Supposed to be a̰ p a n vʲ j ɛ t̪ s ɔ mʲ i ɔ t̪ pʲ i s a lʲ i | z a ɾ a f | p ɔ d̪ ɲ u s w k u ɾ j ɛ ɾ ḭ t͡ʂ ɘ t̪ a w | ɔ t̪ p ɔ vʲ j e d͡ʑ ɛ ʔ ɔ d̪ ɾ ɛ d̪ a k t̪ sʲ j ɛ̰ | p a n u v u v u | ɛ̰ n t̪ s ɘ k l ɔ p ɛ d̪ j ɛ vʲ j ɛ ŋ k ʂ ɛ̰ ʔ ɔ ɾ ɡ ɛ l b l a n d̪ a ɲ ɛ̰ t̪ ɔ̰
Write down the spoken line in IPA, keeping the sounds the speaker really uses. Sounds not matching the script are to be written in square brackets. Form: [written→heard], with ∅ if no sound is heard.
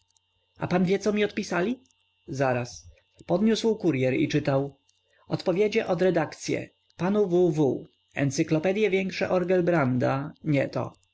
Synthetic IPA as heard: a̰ p a n vʲ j ɛ t̪ s ɔ mʲ i ɔ t̪ pʲ i s a lʲ i | z a ɾ a [f→s] | p ɔ d̪ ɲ u s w k u ɾ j ɛ ɾ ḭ t͡ʂ ɘ t̪ a w | ɔ t̪ p ɔ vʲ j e d͡ʑ ɛ ʔ ɔ d̪ ɾ ɛ d̪ a k t̪ sʲ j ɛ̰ | p a n u v u v u | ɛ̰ n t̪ s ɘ k l ɔ p ɛ d̪ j ɛ vʲ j ɛ ŋ k ʂ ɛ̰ ʔ ɔ ɾ ɡ ɛ l b [l→ɾ] a n d̪ a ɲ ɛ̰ t̪ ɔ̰

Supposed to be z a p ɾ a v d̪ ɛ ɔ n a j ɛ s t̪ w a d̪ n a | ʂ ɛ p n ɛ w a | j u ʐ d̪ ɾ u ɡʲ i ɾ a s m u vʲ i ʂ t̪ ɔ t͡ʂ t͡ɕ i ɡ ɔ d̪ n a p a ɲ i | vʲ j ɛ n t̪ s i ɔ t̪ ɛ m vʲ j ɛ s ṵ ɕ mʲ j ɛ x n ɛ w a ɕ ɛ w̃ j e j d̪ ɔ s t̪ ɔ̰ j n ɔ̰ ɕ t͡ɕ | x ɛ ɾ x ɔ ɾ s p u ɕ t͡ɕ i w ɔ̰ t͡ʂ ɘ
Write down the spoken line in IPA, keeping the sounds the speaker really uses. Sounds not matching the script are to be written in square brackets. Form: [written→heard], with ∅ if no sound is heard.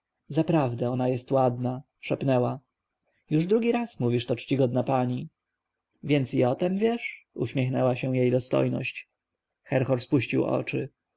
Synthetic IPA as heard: z a p ɾ a v d̪ ɛ ɔ n a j ɛ s t̪ w a d̪ n a | ʂ ɛ p n ɛ w a | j u ʐ d̪ ɾ u ɡʲ i ɾ a s m u vʲ i ʂ t̪ ɔ t͡ʂ t͡ɕ i ɡ ɔ d̪ n a p a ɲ i | vʲ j ɛ n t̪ s i ɔ t̪ ɛ m vʲ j ɛ [s→ʂ] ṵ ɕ mʲ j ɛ x n ɛ w a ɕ ɛ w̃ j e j d̪ ɔ s t̪ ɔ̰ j n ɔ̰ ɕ t͡ɕ | x ɛ ɾ x ɔ ɾ s p u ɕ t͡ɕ i w ɔ̰ t͡ʂ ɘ

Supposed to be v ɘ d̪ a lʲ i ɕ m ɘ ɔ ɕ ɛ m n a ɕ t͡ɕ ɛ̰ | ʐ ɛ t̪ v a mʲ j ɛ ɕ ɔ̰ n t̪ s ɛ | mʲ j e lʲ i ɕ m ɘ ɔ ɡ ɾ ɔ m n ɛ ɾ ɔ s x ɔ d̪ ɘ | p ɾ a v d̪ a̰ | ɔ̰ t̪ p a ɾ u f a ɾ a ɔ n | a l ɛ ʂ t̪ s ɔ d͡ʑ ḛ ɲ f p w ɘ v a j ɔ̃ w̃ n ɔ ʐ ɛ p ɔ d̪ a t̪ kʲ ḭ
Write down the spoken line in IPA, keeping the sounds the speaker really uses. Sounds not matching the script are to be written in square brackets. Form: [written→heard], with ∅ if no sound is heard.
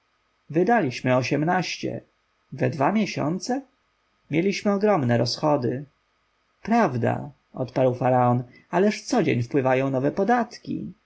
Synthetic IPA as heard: v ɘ d̪ a lʲ i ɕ m ɘ ɔ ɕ ɛ m n a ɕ t͡ɕ ɛ̰ | [ʐ→v] ɛ [t̪→d̪] v a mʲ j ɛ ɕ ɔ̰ n t̪ s ɛ | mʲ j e lʲ i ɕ m ɘ ɔ ɡ ɾ ɔ m n ɛ ɾ ɔ s x ɔ d̪ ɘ | p ɾ a v d̪ a̰ | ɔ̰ t̪ p a ɾ [u→w] f a ɾ a ɔ n | a l ɛ ʂ t̪ s ɔ d͡ʑ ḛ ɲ f p w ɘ v a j ɔ̃ w̃ n ɔ [ʐ→v] ɛ p ɔ d̪ a t̪ kʲ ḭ

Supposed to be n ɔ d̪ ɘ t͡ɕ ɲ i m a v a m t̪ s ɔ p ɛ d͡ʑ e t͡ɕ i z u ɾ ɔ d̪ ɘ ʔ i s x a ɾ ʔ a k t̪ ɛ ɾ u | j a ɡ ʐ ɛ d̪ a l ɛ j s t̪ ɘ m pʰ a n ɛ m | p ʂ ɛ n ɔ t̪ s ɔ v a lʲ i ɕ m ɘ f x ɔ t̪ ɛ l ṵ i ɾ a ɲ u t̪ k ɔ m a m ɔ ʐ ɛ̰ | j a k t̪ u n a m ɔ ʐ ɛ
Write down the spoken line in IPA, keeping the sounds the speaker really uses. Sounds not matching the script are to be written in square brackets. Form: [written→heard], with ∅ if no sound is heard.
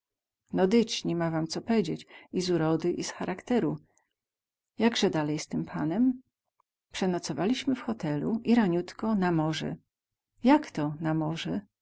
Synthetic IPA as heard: n ɔ d̪ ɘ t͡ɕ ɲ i m a v a m t̪ s ɔ p ɛ d͡ʑ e t͡ɕ i z u ɾ ɔ d̪ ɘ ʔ i s x a ɾ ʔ a k t̪ ɛ ɾ u | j a ɡ ʐ ɛ d̪ a l ɛ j s t̪ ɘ m pʰ a n ɛ m | p ʂ ɛ n ɔ t̪ s ɔ v a lʲ i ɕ m ɘ f x ɔ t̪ ɛ l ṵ i ɾ a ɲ u t̪ k ɔ [m→n] a m ɔ ʐ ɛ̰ | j a k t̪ [u→ɔ] n a m ɔ ʐ ɛ

